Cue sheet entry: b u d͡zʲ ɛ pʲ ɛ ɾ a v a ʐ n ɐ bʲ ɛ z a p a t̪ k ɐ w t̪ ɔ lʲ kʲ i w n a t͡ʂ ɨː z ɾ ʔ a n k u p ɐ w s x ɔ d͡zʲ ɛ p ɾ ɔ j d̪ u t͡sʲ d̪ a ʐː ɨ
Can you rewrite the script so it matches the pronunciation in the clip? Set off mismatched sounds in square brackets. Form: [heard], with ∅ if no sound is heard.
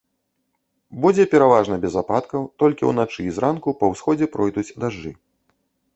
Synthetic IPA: b u d͡zʲ ɛ pʲ ɛ ɾ a v a ʐ n ɐ bʲ ɛ z a p a t̪ k ɐ w t̪ ɔ lʲ kʲ i w n a t͡ʂ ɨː z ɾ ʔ a n k u p ɐ w s x ɔ d͡zʲ ɛ p ɾ ɔ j d̪ u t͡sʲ d̪ a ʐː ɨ